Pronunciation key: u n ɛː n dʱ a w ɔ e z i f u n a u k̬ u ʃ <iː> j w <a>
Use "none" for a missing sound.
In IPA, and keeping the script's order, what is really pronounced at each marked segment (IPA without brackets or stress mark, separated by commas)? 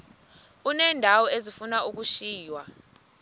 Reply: iː, a